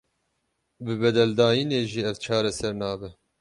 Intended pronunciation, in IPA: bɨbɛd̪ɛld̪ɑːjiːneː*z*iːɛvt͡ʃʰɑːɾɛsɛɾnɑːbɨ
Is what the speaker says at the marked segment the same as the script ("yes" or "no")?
no